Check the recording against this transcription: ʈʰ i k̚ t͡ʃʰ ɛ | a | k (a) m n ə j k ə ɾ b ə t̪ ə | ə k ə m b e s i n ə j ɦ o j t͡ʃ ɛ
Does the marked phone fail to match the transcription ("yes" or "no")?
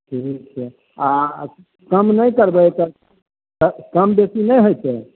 yes